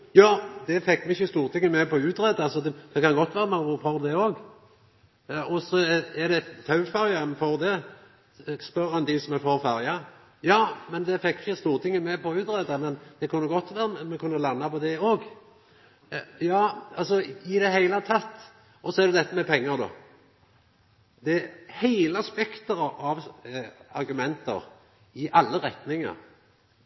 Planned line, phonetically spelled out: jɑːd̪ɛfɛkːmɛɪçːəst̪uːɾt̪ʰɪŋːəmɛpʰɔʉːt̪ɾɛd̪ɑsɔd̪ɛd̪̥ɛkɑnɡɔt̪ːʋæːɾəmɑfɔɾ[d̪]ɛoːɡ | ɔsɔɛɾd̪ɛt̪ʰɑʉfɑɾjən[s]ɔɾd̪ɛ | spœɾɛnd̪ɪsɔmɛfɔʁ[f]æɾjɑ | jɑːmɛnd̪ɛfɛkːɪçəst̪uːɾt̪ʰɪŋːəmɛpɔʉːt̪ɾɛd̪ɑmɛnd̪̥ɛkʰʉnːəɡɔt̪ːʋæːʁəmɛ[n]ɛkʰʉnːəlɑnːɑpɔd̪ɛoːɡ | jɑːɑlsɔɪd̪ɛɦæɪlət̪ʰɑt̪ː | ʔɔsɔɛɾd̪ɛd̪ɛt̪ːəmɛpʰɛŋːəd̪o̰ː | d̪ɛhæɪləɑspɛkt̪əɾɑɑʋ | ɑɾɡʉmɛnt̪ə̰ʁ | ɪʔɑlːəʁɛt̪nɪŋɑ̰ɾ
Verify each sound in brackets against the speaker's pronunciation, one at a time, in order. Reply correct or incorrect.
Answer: correct, incorrect: f, correct, incorrect: m

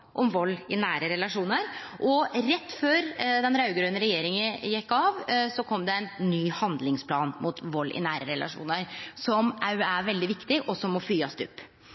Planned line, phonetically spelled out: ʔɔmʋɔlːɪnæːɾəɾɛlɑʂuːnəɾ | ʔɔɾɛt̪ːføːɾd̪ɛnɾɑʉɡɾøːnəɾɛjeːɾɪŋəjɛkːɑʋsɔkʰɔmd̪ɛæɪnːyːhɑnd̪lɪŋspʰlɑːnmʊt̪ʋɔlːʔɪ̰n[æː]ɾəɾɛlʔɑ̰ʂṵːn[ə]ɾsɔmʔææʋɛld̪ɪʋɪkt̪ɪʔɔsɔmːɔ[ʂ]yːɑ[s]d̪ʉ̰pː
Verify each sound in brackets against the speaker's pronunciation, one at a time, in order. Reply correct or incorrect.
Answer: correct, correct, incorrect: f, correct

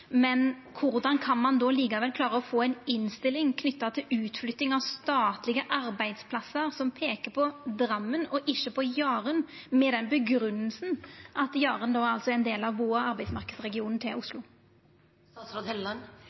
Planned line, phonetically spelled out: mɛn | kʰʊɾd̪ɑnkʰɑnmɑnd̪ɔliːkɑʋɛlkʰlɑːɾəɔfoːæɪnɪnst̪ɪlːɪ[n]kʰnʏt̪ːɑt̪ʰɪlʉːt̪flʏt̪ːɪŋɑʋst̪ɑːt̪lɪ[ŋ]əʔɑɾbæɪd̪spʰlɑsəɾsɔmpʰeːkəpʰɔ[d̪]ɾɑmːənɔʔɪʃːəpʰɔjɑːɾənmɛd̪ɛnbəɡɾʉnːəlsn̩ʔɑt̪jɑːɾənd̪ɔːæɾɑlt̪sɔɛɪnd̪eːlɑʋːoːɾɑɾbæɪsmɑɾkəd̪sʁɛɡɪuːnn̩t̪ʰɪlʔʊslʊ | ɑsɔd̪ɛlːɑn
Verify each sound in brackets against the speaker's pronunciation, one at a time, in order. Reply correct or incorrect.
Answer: incorrect: ŋ, incorrect: ɡ, correct

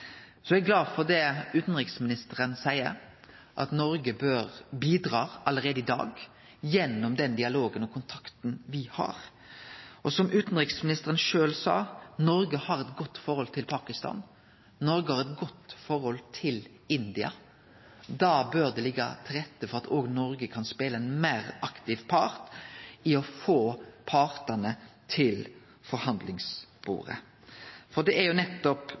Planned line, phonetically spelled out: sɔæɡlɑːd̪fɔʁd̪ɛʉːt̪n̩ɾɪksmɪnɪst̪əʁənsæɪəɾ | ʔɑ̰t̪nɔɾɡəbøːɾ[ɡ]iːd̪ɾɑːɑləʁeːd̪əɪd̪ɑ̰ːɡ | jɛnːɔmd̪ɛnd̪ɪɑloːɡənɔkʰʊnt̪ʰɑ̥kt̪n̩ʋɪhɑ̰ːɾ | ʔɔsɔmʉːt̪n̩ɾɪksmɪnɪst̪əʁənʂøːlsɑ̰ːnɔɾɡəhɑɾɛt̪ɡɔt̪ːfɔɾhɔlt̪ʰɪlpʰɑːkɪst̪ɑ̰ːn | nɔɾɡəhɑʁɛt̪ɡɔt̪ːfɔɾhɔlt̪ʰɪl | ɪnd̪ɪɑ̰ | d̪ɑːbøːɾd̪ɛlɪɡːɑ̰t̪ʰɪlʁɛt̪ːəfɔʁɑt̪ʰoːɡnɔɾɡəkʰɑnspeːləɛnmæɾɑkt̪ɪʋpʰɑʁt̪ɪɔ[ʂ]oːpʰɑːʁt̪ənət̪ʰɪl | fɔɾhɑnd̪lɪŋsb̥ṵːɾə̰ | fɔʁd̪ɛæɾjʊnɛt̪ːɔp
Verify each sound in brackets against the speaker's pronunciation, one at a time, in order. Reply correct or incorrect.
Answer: incorrect: b, incorrect: f

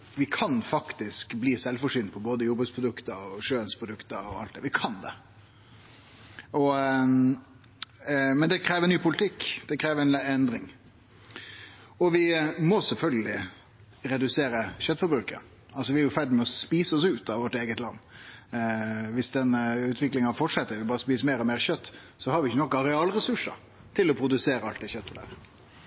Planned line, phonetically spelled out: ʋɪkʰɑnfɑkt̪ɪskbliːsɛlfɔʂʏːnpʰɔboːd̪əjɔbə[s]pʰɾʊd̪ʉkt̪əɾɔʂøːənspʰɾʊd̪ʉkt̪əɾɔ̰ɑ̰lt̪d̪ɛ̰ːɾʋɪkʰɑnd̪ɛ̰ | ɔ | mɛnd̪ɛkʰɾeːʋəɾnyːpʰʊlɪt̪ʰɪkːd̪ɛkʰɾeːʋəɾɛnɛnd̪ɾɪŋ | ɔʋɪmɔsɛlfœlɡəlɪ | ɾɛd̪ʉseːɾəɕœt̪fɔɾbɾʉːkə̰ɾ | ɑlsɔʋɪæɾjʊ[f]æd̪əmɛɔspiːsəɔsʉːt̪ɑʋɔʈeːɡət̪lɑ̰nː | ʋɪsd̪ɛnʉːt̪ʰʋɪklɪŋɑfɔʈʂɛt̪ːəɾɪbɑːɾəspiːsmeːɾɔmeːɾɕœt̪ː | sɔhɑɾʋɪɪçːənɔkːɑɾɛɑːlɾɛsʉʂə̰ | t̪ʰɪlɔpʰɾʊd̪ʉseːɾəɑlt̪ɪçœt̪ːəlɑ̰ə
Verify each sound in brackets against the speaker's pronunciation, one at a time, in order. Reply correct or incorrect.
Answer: correct, correct

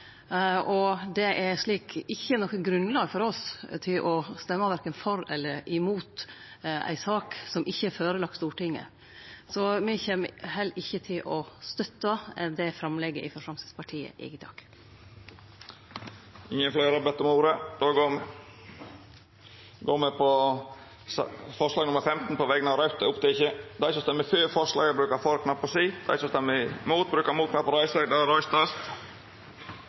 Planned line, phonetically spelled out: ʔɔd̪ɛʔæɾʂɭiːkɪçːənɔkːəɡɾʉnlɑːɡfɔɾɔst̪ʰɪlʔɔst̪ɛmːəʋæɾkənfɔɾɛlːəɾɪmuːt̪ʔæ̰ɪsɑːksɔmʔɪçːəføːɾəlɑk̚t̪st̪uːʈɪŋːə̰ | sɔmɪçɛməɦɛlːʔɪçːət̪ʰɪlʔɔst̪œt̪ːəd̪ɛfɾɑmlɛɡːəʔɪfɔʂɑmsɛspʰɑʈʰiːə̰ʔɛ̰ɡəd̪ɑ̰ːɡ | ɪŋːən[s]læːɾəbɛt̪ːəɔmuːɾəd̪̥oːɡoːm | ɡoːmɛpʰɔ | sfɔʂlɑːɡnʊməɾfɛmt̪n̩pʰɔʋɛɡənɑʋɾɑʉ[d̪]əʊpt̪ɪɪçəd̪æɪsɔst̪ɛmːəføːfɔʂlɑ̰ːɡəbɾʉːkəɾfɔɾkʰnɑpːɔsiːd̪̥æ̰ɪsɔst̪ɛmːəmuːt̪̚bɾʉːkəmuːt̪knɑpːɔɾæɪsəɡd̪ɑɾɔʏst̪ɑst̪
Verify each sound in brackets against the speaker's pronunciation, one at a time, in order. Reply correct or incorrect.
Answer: incorrect: f, incorrect: t̪

